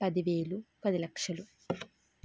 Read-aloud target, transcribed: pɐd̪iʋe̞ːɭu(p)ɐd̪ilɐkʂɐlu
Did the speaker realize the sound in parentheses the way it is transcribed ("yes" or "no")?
yes